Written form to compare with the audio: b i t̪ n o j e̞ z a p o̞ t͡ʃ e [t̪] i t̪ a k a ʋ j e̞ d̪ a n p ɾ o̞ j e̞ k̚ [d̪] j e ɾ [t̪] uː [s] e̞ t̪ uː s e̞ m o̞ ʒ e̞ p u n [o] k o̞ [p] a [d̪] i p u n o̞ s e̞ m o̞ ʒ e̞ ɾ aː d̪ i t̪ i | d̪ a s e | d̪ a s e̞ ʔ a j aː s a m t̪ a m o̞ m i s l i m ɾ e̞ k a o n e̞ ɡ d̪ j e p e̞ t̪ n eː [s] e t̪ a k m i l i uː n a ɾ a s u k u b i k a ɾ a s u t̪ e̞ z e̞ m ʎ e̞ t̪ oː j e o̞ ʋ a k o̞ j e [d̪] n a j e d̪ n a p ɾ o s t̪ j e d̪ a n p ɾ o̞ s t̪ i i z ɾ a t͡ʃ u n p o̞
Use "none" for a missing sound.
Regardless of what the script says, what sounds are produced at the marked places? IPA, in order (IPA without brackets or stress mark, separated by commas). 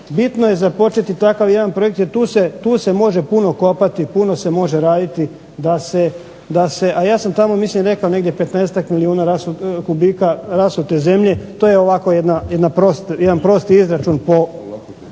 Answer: t̪, t̪, t̪, s, o, p, t̪, s, d̪